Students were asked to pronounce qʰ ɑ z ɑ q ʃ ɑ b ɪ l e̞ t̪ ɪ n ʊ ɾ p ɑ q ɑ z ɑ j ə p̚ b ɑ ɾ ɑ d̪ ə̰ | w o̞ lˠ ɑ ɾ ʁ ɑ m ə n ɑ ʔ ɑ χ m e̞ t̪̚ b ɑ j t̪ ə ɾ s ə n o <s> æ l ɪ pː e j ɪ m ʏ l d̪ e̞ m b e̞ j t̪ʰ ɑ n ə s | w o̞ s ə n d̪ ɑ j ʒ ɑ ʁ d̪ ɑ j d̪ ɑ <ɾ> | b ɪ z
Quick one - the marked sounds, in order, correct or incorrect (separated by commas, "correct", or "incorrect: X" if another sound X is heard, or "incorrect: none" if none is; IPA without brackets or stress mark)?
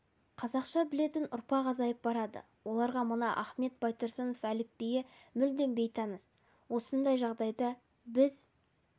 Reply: incorrect: f, incorrect: none